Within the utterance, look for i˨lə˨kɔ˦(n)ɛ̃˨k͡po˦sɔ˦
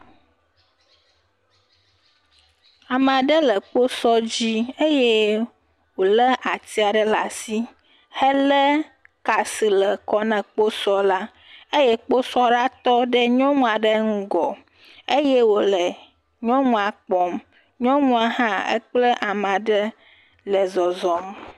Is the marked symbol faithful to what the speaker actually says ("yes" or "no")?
yes